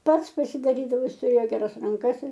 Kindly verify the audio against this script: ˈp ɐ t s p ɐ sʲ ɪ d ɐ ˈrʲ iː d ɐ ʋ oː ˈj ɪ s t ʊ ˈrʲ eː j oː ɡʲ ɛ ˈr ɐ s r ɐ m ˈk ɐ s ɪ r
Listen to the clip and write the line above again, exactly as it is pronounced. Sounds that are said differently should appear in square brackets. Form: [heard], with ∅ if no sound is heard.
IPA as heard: ˈp ɐ t s p ɐ sʲ ɪ d ɐ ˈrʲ iː d ɐ ʋ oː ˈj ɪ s t ʊ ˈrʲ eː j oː ɡʲ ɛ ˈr ɐ s r ɐ [ŋ] ˈk ɐ s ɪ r